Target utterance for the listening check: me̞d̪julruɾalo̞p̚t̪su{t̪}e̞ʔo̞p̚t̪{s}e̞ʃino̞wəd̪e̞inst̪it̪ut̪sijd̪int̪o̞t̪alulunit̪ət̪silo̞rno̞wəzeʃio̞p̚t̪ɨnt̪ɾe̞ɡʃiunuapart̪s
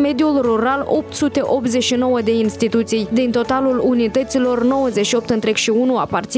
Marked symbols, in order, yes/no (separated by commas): yes, no